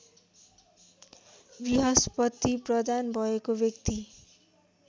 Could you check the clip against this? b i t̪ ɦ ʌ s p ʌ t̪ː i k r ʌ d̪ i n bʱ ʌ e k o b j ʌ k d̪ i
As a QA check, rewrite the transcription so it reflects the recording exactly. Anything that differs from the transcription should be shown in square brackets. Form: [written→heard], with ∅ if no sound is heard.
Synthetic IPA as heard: b i [t̪→∅] ɦ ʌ s p ʌ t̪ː i [k→p] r ʌ d̪ [i→a] n bʱ ʌ e k o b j ʌ k [d̪→t̪] i